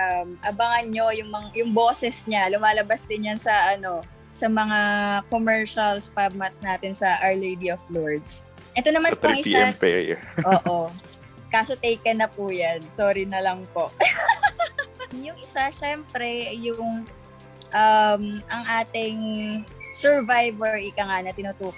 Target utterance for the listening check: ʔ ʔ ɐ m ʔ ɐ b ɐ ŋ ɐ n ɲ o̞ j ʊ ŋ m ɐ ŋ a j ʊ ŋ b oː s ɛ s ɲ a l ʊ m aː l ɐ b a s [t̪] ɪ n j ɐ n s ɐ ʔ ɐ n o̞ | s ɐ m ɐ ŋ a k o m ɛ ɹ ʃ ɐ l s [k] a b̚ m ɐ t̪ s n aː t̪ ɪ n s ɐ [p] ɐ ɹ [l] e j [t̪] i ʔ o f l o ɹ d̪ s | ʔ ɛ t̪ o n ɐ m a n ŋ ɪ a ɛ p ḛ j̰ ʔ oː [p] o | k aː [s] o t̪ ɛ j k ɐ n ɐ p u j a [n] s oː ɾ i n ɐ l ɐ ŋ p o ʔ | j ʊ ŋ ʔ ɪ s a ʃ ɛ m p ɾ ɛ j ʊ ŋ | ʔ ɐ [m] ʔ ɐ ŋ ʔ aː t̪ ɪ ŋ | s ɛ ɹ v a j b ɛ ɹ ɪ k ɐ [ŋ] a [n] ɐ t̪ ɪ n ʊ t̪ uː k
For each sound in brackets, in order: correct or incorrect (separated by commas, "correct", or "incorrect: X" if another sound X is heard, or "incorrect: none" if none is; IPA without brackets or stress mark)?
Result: incorrect: d̪, incorrect: p, incorrect: ʔ, correct, incorrect: d̪, incorrect: ʔ, correct, correct, correct, correct, correct